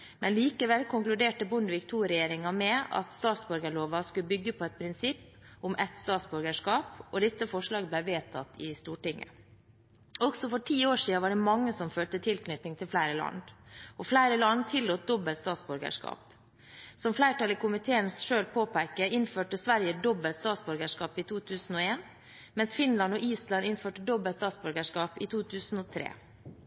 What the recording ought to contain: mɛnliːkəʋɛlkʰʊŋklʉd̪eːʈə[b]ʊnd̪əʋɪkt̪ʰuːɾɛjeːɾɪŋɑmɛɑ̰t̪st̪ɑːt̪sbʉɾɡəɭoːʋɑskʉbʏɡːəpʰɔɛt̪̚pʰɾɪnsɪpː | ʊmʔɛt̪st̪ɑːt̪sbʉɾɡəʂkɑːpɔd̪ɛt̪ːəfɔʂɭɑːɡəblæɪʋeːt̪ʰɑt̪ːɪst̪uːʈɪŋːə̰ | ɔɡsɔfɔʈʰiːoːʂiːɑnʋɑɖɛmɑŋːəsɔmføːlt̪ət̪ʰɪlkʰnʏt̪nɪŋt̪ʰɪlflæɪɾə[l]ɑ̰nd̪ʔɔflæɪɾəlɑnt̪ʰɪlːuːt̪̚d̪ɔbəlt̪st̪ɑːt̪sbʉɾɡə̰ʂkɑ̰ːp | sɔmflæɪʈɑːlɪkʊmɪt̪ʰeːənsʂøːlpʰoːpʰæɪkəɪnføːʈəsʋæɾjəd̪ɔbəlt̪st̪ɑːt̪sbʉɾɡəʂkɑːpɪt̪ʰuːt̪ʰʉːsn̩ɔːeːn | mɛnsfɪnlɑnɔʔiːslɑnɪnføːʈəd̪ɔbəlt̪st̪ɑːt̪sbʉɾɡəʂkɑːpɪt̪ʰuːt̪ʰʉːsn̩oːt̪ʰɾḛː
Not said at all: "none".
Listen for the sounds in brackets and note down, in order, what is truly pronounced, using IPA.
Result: b, l

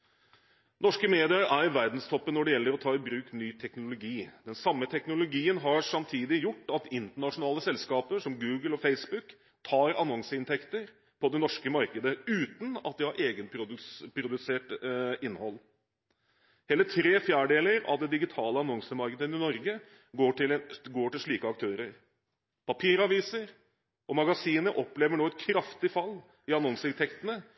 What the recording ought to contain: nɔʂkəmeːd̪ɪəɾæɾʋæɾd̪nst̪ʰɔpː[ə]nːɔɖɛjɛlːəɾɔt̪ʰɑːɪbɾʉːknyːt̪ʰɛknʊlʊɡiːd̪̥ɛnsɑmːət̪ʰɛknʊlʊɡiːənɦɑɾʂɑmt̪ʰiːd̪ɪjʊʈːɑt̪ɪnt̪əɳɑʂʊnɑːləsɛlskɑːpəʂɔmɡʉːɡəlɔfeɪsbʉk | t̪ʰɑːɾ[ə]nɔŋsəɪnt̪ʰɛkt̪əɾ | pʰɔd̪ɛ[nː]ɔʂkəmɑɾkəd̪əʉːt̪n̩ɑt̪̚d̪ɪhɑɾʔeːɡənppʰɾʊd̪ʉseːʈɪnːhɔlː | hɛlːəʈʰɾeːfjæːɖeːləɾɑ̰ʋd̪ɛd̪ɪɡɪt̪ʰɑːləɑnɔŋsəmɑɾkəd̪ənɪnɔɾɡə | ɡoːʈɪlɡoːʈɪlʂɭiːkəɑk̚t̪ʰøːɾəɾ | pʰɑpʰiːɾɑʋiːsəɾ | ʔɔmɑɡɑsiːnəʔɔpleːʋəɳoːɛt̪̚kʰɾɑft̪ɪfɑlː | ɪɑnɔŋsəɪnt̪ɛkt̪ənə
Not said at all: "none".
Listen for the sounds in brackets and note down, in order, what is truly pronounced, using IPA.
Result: ə, ɑ, n

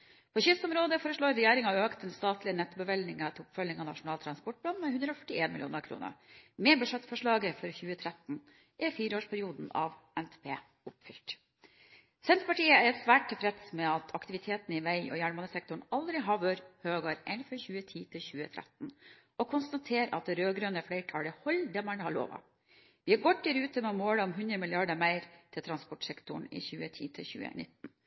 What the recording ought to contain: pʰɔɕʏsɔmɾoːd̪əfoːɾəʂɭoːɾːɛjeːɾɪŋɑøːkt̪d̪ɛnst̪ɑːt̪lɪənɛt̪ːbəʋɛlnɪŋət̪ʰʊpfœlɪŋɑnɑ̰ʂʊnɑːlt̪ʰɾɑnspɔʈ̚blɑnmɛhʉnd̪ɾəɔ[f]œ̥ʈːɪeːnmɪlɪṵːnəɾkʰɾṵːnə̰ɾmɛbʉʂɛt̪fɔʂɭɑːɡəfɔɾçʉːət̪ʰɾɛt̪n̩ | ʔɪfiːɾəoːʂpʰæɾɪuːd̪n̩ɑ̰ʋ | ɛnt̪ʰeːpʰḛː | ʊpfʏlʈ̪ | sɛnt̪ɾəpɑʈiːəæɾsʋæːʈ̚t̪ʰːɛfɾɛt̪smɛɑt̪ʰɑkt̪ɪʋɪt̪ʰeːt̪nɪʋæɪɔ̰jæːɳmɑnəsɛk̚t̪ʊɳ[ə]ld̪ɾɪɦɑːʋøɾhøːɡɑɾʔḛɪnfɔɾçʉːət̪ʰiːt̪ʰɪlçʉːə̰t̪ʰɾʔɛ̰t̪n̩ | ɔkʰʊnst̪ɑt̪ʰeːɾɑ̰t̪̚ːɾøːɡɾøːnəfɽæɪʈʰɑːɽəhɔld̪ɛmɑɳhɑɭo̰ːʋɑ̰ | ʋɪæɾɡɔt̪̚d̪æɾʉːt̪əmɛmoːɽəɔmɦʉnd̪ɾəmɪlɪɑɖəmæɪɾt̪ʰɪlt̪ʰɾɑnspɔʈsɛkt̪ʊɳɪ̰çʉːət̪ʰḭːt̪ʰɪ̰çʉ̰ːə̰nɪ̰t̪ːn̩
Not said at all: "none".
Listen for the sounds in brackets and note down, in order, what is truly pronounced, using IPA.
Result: f, ɑ

